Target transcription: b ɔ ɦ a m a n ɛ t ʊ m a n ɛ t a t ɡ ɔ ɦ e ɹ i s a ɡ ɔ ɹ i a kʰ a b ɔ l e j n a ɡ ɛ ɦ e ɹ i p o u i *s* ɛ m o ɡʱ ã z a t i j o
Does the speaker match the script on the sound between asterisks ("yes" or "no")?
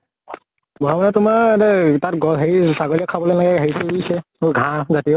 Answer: yes